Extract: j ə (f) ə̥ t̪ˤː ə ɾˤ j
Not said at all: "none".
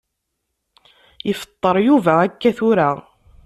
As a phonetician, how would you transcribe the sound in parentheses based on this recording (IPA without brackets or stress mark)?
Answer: f